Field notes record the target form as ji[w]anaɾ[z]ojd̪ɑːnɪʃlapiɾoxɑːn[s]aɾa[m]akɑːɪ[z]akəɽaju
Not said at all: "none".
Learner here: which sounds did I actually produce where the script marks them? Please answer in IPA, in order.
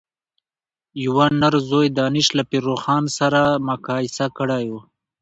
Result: w, z, s, m, s

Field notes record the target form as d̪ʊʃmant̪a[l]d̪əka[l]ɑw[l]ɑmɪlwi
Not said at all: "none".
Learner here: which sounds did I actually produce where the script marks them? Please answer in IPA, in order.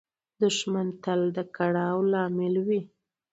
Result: l, ɽ, l

